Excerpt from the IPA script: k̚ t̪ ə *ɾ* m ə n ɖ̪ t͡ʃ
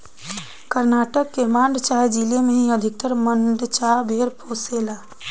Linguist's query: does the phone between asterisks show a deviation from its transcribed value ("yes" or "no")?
no